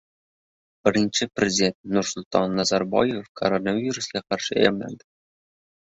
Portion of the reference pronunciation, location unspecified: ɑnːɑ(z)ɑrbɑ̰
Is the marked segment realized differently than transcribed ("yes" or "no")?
no